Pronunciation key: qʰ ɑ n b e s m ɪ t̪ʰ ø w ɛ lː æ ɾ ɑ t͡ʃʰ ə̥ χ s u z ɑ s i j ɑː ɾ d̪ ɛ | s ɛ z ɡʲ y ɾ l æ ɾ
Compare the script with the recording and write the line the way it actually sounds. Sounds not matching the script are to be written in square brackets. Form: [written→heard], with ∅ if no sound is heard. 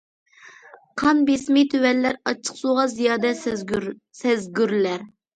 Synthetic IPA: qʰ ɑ n b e s m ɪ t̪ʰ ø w ɛ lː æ ɾ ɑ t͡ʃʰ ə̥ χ s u [z→ʁ] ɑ [s→z] i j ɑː [ɾ→∅] d̪ ɛ | s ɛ z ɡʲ y ɾ l æ ɾ